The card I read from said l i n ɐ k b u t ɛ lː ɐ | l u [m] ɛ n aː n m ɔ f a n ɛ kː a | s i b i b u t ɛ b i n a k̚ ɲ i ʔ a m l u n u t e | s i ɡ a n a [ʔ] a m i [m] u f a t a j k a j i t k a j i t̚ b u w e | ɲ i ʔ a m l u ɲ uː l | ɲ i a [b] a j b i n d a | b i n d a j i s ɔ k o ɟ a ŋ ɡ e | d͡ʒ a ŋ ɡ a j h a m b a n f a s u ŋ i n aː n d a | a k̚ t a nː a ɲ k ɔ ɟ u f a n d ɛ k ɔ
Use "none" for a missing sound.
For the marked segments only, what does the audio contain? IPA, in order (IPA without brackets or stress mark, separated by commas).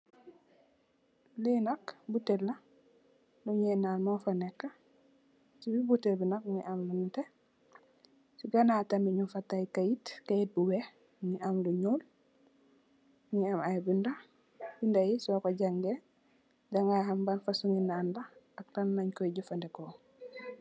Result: ɲ, t, ɲ, m